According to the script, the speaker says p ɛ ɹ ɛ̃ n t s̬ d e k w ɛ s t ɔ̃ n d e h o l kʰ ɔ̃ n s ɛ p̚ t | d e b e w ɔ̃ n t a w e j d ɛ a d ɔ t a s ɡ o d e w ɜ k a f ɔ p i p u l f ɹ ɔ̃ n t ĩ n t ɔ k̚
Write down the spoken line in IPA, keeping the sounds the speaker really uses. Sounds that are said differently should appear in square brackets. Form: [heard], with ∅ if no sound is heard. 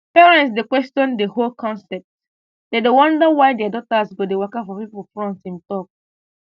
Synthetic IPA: p ɛ ɹ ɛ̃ n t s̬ d e k w ɛ s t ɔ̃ n d e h o l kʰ ɔ̃ n s ɛ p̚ t | d e [d] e w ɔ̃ n [d] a w [a] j d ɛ a d ɔ t a s ɡ o d e w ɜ k a f ɔ p i p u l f ɹ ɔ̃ n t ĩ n t ɔ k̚